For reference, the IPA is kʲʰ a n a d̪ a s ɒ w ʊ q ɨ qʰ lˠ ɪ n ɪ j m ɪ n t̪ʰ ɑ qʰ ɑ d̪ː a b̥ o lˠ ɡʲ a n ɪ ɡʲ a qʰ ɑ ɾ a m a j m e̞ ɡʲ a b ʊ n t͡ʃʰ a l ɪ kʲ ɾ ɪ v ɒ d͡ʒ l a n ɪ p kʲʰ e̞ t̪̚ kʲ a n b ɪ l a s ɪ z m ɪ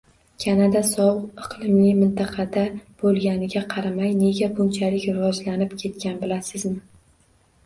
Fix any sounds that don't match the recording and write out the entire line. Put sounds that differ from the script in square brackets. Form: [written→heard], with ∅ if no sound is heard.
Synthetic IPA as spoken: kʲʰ a n a d̪ a s ɒ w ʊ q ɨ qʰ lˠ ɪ [n→m] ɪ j m ɪ n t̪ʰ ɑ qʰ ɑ [d̪ː→d̪] a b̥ o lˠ ɡʲ a n ɪ ɡʲ a qʰ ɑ ɾ a m a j [m→n] e̞ ɡʲ a b ʊ n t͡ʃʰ a l ɪ kʲ ɾ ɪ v ɒ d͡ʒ l a n ɪ p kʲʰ e̞ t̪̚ kʲ a n b ɪ l a s ɪ z m ɪ